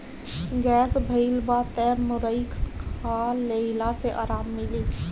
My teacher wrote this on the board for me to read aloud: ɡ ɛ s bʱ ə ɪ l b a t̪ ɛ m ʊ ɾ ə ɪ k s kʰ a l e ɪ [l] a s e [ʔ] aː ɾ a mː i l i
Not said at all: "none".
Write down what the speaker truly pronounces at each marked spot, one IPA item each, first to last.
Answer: l, ʔ

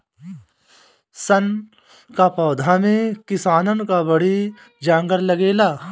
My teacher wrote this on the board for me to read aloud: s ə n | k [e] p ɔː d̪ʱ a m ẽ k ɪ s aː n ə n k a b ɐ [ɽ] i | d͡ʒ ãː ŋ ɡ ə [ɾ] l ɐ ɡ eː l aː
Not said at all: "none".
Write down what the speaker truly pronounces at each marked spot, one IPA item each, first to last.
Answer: a, ɽ, ɾ

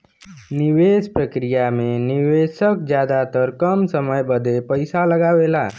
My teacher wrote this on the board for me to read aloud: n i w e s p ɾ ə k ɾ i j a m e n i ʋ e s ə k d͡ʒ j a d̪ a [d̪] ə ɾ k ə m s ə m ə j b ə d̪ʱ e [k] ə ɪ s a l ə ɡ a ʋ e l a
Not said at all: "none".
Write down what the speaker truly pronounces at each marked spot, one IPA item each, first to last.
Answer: t̪, p

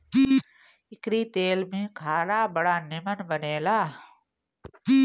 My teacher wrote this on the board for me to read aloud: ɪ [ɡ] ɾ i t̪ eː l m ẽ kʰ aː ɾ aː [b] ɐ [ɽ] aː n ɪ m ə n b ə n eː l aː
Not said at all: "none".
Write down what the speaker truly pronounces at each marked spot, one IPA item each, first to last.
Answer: k, b, ɽ

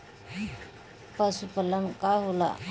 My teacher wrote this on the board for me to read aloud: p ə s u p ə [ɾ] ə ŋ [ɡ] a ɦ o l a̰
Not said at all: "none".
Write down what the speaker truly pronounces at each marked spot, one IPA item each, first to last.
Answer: l, k

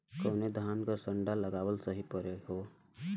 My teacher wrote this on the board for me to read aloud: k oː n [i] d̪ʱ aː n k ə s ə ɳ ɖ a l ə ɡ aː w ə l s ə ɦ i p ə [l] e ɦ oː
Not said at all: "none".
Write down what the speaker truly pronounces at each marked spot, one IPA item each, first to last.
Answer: e, ɾ

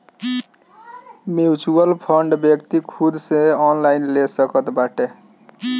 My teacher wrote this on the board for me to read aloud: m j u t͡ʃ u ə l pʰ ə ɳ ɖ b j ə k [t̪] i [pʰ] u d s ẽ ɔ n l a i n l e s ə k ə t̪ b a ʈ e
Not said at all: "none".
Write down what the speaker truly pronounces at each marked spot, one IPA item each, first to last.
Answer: t̪, kʰ

